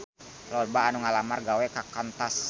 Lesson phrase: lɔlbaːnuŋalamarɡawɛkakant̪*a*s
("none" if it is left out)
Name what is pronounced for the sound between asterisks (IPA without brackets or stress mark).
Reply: a